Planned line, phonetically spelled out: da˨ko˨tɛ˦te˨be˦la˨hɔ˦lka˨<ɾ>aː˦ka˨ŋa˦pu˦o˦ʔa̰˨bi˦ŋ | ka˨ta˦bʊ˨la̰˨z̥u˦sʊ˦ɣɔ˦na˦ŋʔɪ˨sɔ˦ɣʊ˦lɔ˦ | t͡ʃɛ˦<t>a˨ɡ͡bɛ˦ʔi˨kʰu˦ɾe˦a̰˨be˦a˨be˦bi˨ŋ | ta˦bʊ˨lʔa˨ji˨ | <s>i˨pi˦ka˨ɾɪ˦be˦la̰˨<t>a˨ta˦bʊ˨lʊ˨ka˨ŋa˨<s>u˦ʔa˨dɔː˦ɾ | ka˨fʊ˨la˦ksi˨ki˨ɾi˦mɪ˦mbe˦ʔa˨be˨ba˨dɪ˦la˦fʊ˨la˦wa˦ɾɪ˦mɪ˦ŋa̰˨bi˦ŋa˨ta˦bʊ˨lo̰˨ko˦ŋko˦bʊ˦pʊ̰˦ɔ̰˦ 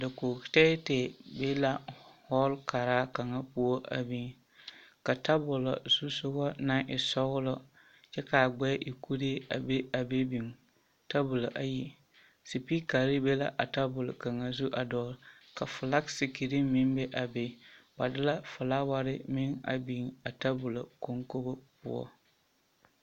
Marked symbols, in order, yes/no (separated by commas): yes, no, yes, no, no